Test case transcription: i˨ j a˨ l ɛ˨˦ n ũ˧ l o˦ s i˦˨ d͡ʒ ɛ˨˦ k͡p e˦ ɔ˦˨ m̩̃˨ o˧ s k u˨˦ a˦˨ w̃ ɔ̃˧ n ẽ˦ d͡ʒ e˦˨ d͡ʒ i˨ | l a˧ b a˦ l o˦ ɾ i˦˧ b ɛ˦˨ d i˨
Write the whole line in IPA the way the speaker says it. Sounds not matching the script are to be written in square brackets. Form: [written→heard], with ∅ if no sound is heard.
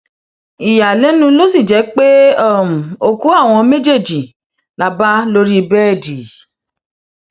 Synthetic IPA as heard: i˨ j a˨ l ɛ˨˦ n ũ˧ l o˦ s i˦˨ d͡ʒ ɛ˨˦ k͡p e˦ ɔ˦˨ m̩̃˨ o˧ [s→∅] k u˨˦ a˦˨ w̃ ɔ̃˧ [n→m] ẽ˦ d͡ʒ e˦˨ d͡ʒ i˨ | l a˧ b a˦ l o˦ ɾ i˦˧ b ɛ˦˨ d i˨

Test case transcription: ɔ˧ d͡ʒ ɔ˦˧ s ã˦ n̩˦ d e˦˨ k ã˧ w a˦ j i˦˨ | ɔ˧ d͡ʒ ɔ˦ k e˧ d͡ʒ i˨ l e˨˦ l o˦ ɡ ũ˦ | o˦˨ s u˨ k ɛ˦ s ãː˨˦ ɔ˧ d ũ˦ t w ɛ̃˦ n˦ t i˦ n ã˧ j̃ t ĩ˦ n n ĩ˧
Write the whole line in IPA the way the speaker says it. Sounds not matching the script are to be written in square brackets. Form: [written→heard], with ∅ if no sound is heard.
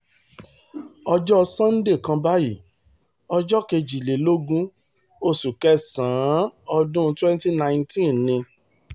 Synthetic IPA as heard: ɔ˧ d͡ʒ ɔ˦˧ s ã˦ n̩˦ d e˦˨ k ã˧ [w→b] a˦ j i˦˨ | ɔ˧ d͡ʒ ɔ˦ k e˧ d͡ʒ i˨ l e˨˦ l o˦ ɡ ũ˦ | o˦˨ s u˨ k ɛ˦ s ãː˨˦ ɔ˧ d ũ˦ t w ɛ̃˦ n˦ t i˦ n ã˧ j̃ t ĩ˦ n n ĩ˧

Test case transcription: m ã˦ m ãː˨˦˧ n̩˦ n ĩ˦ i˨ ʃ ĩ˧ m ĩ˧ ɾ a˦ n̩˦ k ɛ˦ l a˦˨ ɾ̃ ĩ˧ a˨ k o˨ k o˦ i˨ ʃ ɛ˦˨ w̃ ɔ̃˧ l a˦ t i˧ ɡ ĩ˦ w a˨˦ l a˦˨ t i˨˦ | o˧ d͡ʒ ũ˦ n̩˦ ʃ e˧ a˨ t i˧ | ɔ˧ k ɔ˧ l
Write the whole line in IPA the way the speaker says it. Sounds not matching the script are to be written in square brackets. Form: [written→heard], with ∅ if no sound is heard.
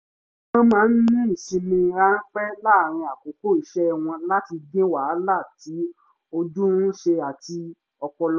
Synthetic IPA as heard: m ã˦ m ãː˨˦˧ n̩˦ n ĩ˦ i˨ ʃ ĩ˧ m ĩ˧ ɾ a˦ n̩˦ [k→k͡p] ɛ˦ l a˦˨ ɾ̃ ĩ˧ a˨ k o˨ k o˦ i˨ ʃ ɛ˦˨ w̃ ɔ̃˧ l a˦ t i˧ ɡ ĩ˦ w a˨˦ l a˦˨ t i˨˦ | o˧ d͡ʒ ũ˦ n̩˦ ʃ e˧ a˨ t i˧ | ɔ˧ k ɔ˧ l

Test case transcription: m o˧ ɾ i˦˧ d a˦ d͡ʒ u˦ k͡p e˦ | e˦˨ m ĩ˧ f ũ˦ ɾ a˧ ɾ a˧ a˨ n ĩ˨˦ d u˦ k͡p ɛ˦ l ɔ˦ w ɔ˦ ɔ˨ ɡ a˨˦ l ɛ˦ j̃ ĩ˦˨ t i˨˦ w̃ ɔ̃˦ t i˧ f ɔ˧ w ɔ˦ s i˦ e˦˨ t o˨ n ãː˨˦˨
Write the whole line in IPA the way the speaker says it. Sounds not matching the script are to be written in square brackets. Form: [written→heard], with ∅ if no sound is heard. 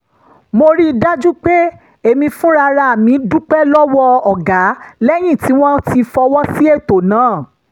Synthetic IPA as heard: m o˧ ɾ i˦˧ d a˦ d͡ʒ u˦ k͡p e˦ | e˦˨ m ĩ˧ f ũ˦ ɾ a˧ ɾ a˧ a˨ [n→m] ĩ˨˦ d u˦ k͡p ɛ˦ l ɔ˦ w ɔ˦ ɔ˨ ɡ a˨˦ l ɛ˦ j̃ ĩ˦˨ t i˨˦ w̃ ɔ̃˦ t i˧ f ɔ˧ w ɔ˦ s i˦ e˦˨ t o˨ n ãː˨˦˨

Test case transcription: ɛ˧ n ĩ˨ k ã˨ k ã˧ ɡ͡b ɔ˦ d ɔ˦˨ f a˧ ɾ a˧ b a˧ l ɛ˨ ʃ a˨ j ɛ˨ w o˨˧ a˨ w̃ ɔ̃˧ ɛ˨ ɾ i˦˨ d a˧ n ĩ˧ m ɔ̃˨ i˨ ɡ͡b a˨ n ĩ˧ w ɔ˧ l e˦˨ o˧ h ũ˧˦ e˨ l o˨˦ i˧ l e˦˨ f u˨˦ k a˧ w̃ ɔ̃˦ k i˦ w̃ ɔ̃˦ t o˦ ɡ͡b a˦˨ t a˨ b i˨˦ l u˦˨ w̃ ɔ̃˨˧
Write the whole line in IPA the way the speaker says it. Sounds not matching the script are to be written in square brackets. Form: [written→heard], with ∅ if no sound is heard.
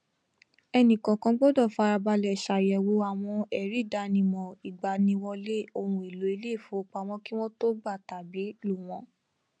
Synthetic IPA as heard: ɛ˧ n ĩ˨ k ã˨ k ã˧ ɡ͡b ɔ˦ d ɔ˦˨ f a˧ ɾ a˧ b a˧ l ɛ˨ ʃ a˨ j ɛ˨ w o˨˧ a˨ w̃ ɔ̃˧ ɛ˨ ɾ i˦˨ d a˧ n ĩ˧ m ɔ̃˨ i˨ ɡ͡b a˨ n ĩ˧ w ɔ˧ l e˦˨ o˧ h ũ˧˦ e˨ l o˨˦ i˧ l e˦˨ f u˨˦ [k→k͡p] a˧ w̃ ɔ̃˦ k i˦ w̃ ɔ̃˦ t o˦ ɡ͡b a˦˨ t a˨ b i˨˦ l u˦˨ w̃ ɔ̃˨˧

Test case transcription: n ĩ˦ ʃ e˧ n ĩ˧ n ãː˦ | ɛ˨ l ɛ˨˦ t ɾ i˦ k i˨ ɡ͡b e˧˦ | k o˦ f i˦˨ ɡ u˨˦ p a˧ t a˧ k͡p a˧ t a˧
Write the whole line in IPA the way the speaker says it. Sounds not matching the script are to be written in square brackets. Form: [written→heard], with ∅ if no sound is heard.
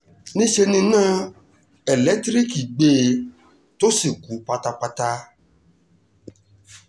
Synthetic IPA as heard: n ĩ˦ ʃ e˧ n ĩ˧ n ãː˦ | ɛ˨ l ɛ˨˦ t ɾ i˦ k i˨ ɡ͡b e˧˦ | [k→t] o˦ [f→s] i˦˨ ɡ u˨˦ p a˧ t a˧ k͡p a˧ t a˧

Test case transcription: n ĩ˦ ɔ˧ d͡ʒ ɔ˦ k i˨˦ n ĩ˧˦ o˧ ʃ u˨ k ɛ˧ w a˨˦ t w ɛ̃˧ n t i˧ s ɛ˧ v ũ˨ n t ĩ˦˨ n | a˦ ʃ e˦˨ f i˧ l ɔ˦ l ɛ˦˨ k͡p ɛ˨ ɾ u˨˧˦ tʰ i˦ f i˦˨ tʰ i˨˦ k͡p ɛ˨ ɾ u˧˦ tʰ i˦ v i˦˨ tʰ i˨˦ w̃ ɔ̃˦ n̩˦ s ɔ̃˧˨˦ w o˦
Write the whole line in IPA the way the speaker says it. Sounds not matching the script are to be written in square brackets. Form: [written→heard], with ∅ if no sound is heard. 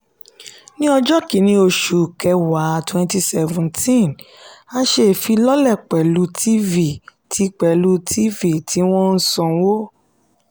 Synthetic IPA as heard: n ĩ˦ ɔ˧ d͡ʒ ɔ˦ k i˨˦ n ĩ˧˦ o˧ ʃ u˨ k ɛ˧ w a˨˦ t w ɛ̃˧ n t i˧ s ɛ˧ v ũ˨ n t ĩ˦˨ n | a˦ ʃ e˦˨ f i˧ l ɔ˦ l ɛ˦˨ k͡p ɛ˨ [ɾ→l] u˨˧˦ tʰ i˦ [f→v] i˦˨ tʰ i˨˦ k͡p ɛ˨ [ɾ→l] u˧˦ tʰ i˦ v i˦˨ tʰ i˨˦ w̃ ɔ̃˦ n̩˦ s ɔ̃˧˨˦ w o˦

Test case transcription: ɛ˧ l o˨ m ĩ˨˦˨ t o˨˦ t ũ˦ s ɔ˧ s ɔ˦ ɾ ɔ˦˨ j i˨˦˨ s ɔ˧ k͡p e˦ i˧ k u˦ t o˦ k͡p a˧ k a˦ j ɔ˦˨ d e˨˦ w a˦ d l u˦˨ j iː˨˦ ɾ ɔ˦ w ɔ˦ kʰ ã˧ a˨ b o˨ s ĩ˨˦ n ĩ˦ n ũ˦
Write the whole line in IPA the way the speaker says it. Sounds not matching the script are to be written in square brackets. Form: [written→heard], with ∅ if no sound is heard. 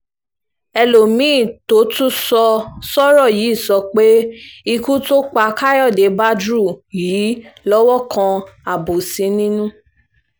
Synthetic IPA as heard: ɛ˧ l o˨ m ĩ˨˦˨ t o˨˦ t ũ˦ s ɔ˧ s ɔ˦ ɾ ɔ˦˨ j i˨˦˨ s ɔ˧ k͡p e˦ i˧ k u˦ t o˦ k͡p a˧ k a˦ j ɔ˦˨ d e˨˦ [w→b] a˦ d [l→ɾ] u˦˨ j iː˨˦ [ɾ→l] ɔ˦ w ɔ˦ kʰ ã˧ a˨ b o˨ s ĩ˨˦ n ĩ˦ n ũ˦

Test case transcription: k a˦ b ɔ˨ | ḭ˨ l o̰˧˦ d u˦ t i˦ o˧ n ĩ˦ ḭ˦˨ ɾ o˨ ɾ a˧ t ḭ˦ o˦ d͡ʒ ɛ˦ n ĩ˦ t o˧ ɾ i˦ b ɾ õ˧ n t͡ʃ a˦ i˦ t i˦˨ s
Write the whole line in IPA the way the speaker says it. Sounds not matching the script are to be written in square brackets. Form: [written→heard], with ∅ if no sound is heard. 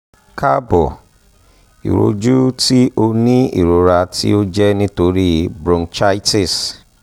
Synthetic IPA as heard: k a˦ b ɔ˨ | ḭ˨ [l→ɾ] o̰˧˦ [d→d͡ʒ] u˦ t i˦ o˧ n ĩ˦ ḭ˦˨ ɾ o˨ ɾ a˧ t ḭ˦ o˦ d͡ʒ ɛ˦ n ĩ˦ t o˧ ɾ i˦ b ɾ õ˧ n t͡ʃ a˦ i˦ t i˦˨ s

